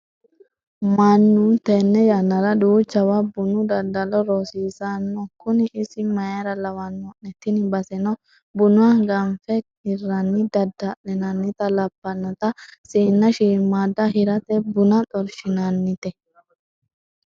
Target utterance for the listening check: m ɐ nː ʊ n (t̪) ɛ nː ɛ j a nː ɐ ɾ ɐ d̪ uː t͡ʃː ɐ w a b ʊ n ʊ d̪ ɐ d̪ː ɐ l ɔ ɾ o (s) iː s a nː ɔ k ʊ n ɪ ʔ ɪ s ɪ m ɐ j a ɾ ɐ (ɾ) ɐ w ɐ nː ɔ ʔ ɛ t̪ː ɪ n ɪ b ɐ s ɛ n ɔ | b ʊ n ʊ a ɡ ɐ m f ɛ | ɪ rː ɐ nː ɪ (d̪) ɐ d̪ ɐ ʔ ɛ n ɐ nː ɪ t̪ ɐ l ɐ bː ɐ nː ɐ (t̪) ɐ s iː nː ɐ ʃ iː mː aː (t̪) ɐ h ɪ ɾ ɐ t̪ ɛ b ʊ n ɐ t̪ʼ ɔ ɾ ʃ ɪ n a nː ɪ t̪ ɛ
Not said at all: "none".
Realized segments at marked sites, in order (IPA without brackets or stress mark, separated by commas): t̪, s, l, d̪, t̪, d̪